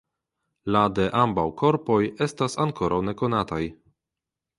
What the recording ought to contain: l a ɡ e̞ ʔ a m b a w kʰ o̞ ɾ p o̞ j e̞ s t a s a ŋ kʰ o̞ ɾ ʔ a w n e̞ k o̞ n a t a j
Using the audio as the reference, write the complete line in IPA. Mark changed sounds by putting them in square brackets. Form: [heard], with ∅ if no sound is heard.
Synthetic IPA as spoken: l a [d] e̞ ʔ a m b a w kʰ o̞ ɾ p o̞ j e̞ s t a s a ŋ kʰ o̞ ɾ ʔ a w n e̞ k o̞ n a t a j